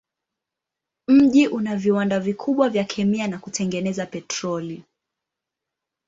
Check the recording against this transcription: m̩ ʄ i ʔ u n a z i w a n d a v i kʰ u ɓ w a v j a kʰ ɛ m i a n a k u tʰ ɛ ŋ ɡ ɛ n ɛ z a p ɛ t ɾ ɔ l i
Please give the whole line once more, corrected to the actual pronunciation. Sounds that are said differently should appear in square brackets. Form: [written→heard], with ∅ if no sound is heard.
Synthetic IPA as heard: m̩ ʄ i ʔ u n a [z→v] i w a n d a v i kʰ u ɓ w a v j a kʰ ɛ m i a n a k u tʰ ɛ ŋ ɡ ɛ n ɛ z a p ɛ t ɾ ɔ l i